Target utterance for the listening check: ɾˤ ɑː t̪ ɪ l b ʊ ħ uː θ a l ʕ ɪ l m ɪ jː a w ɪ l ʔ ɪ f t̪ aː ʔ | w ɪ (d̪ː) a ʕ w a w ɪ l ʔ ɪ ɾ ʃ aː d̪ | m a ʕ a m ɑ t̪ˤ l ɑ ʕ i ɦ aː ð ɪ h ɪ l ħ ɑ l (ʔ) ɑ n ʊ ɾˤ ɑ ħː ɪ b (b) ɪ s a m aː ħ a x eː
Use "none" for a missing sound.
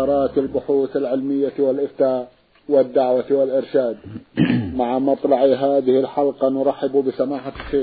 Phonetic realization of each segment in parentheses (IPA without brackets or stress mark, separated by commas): d̪ː, q, b